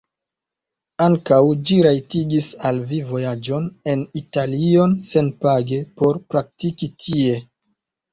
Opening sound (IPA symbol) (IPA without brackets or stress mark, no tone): a